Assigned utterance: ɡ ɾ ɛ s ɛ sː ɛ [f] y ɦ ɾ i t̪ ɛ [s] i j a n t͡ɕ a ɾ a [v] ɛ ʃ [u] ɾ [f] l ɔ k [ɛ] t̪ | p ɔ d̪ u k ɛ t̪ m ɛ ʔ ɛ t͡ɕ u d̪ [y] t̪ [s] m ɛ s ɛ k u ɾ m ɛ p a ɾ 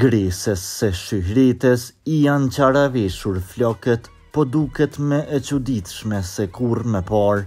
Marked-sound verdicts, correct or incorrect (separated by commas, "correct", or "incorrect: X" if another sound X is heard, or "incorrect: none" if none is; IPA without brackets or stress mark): incorrect: ʃ, correct, correct, correct, correct, correct, incorrect: i, incorrect: ʃ